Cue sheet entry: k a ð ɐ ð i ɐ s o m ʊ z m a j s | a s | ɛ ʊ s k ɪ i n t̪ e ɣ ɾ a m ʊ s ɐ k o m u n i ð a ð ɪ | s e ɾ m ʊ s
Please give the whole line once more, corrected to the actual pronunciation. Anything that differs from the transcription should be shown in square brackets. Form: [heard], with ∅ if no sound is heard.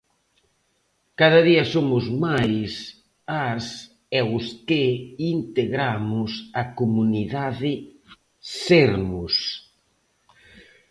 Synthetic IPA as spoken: k a ð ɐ ð i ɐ s o m ʊ z m a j s | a s | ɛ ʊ s k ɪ i n t̪ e ɣ ɾ a m ʊ s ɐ k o m u n i ð a ð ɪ | s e ɾ m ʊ s